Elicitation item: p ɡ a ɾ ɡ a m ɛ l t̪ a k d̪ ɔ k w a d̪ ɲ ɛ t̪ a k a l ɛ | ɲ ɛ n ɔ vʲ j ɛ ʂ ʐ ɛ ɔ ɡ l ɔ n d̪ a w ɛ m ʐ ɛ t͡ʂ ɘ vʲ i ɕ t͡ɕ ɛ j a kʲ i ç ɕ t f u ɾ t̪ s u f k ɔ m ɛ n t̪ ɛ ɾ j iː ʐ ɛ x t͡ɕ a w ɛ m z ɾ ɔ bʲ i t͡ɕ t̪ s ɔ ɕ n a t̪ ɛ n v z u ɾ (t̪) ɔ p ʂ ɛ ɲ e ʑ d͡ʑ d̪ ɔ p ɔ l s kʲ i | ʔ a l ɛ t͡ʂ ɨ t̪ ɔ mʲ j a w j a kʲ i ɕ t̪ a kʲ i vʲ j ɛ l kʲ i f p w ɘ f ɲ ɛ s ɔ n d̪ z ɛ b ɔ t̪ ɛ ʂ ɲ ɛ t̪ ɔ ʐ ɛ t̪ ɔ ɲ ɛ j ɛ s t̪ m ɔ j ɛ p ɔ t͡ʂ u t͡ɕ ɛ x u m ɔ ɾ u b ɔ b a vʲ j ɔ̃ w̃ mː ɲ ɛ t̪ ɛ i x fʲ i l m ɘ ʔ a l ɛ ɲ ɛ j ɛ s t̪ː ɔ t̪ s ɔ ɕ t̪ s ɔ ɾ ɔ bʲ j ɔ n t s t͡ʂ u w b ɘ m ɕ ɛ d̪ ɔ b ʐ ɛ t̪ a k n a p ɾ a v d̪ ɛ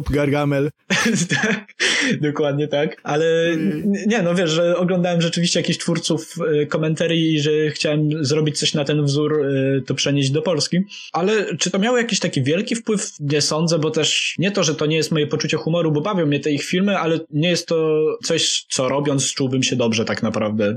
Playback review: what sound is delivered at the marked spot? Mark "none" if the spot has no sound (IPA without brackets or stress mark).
t̪